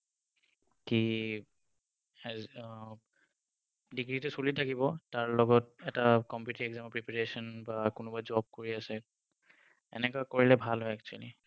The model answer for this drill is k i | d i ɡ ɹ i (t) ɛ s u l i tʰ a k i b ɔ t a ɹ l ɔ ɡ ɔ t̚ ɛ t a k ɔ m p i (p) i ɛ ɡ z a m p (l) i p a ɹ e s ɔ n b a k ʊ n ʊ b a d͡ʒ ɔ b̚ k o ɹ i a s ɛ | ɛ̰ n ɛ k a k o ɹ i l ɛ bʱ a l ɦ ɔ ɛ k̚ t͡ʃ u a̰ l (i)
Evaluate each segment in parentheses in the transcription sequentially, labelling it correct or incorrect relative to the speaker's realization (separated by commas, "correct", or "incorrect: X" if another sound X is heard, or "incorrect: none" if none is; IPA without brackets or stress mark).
correct, incorrect: t, incorrect: ɹ, correct